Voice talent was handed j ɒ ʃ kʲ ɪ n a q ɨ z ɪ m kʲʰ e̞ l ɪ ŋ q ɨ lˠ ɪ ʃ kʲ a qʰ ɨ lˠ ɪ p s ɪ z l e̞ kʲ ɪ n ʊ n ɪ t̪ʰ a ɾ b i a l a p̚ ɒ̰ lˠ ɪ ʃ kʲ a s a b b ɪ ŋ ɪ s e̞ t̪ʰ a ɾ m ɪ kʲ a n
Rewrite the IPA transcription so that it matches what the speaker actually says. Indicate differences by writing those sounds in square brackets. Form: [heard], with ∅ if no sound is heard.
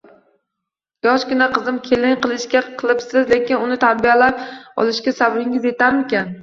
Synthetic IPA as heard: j ɒ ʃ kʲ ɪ n a q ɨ z ɪ m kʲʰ e̞ l ɪ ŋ q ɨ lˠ ɪ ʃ kʲ a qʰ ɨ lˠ ɪ p s ɪ z l e̞ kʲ ɪ n ʊ n ɪ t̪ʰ a ɾ b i a l a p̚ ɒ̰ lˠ ɪ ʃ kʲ a s a b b ɪ ŋ ɪ [z] e̞ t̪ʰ a ɾ m ɪ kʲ a n